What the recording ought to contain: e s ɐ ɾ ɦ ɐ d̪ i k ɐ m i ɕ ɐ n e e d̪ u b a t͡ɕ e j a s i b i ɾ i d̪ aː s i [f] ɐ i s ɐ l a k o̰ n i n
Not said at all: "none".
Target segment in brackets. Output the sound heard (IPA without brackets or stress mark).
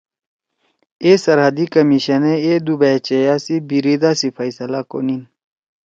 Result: f